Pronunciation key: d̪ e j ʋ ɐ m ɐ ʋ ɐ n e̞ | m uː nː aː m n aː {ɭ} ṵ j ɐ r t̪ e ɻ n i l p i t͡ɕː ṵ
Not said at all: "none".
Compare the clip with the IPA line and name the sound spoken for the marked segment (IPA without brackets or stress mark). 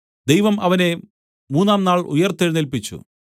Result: ɭ